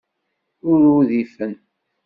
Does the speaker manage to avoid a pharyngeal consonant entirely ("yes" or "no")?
yes